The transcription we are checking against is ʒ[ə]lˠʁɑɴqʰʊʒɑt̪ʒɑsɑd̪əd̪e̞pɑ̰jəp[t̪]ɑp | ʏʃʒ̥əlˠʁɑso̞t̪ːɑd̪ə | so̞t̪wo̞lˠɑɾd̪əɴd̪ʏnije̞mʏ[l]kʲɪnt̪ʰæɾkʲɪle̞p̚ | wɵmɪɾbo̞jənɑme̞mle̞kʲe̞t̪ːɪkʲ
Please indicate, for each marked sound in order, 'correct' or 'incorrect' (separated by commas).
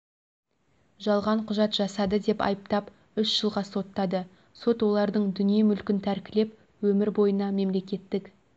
incorrect, correct, correct